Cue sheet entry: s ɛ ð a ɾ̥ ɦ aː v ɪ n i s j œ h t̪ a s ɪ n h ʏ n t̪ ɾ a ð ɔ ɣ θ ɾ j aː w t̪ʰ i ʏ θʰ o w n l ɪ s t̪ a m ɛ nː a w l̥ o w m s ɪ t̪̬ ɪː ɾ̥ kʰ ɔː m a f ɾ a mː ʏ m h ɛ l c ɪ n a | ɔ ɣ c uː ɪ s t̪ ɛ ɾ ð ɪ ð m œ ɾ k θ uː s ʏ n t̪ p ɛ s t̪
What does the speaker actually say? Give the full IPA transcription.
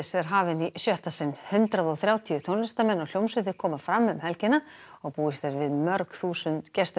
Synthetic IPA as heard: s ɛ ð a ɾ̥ ɦ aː v ɪ n i s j œ h t̪ a s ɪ n h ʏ n t̪ ɾ a ð ɔ ɣ θ ɾ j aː w t̪ʰ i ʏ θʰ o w n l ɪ s t̪ a m ɛ nː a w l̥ o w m s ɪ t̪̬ ɪ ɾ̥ kʰ ɔː m a f ɾ a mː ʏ m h ɛ l c ɪ n a | ɔ ɣ p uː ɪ s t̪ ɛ ɾ v ɪ ð m œ ɾ k θ uː s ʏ n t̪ c ɛ s t̪